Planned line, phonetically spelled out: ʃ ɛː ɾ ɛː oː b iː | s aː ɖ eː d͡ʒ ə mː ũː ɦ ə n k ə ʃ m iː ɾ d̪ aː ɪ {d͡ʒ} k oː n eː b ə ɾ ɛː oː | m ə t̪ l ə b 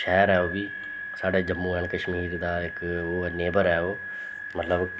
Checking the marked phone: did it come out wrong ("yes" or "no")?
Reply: yes